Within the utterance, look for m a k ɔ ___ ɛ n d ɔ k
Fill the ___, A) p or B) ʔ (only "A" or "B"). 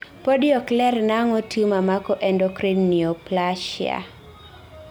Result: B